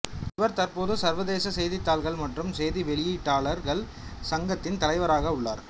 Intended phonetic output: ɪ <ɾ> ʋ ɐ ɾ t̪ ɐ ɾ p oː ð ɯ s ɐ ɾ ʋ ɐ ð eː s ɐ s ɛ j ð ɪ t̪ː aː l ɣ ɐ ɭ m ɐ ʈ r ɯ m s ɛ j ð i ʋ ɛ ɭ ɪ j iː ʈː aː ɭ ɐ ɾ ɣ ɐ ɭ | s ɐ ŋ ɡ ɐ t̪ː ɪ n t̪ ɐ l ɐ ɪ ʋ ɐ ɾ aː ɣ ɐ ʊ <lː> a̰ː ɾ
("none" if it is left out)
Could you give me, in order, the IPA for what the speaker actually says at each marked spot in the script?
none, ɭː

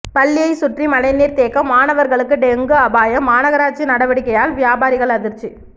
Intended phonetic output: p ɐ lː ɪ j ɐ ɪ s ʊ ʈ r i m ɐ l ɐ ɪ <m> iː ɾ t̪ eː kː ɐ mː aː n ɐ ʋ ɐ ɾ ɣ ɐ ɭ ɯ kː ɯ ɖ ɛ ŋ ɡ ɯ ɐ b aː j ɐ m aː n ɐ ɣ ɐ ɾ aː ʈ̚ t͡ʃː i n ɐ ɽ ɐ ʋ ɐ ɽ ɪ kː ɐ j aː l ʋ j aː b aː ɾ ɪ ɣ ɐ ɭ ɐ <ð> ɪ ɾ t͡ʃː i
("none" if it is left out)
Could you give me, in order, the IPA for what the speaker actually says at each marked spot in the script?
n, ð

